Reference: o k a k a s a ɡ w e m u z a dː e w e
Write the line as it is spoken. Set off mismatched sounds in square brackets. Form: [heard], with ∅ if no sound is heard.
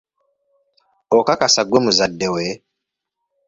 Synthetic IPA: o k a k a s a ɡ w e m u z a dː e w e